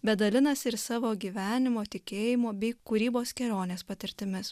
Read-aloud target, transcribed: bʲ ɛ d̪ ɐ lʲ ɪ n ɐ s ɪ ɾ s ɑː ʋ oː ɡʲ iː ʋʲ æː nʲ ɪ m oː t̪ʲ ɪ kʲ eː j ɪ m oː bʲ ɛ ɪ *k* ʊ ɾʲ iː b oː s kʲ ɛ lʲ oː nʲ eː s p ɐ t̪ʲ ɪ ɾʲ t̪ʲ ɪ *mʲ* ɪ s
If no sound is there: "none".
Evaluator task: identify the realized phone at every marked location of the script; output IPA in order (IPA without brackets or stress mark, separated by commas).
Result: k, mʲ